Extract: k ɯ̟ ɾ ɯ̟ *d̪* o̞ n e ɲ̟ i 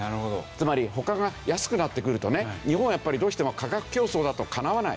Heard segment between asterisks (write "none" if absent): t̪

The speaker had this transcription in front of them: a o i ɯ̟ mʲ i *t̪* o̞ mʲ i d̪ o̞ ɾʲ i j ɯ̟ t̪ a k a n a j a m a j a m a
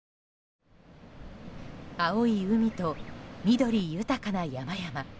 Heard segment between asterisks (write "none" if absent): t̪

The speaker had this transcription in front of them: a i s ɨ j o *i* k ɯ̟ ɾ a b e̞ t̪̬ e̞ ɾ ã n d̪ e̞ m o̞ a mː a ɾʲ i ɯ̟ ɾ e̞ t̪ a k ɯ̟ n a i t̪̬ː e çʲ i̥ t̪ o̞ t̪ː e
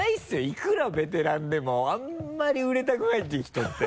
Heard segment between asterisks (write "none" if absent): i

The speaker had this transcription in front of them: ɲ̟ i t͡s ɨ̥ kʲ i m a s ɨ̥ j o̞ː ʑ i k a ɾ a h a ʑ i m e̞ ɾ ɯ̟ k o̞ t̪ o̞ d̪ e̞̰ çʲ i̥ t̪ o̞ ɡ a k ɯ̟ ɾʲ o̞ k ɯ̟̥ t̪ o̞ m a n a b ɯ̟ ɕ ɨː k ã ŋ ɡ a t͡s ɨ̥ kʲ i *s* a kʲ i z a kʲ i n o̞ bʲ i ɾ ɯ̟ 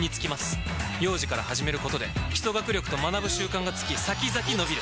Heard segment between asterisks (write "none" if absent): s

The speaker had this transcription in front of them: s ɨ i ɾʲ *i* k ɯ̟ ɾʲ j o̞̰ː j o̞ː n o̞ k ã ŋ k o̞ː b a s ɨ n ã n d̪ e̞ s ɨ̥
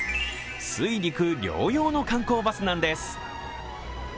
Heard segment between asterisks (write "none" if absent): i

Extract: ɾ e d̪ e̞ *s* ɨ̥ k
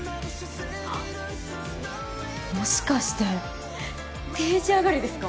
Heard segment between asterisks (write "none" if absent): s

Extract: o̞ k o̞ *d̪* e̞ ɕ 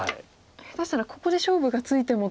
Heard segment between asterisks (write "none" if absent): d̪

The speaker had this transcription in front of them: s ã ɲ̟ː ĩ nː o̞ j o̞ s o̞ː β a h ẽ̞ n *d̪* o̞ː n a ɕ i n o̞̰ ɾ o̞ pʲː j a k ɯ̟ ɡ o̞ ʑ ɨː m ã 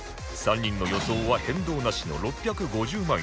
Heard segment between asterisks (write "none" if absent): d̪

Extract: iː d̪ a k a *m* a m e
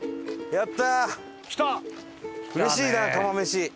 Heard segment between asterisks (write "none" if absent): m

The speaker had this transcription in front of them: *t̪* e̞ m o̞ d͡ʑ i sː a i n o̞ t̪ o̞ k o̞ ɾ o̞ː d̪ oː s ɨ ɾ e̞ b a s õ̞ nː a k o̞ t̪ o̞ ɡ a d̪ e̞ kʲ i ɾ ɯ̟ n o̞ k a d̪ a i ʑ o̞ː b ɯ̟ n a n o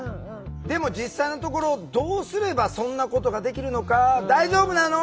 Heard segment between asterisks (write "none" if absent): d̪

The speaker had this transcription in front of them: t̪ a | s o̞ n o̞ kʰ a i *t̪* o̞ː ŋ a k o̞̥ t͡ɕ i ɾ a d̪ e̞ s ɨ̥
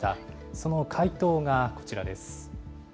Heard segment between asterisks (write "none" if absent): t̪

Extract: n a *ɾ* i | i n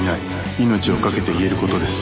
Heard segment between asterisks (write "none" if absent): none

